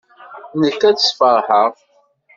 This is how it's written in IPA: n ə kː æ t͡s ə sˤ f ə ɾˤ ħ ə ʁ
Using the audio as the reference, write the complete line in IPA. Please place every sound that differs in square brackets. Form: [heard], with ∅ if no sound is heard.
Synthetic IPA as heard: n ə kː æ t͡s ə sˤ f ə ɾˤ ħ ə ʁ

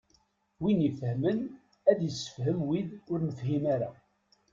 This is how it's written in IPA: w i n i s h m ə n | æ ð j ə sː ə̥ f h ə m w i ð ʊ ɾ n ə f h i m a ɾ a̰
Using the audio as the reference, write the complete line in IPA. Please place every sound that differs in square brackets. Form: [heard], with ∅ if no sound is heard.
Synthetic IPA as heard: w i n i [f] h m ə n | æ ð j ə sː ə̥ f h ə m w i ð ʊ ɾ n ə f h i m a ɾ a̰

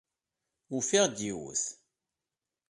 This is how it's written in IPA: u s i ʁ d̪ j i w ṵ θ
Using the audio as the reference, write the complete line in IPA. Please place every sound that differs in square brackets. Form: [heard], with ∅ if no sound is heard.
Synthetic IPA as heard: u [f] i ʁ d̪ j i w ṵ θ

